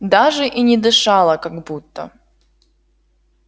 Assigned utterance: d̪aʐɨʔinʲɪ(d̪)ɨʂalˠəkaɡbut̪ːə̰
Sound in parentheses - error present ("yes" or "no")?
no